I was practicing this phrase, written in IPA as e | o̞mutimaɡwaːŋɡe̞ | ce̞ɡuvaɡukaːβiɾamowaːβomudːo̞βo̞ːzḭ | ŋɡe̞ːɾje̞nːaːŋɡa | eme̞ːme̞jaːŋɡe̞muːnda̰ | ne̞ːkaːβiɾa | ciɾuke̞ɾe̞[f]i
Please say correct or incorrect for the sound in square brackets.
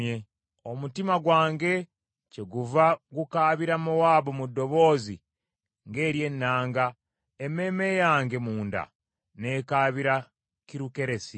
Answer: incorrect